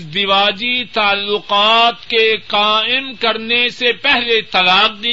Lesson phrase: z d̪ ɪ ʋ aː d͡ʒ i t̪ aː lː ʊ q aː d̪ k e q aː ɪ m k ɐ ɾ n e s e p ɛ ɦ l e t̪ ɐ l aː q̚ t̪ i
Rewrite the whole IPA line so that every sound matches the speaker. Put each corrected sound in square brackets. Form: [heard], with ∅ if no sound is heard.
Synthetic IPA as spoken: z d̪ ɪ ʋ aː d͡ʒ i t̪ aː lː ʊ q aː [t̪] k e q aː ɪ m k ɐ ɾ n e s e p ɛ ɦ l e t̪ ɐ l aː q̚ [d̪] i